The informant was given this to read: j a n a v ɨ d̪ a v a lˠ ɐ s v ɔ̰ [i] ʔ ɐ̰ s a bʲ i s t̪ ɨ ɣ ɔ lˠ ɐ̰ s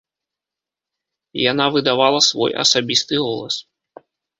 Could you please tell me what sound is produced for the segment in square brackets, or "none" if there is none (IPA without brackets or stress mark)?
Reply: j